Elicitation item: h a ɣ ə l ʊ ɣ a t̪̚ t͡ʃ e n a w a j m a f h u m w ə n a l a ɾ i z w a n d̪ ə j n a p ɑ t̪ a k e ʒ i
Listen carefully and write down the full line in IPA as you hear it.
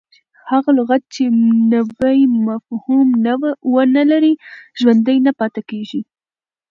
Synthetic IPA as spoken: h a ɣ a l ʊ ɣ a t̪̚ t͡ʃ e n a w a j m a f h u m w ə n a l a ɾ i ʒ w a n d̪ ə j n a p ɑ t̪ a k e ʒ i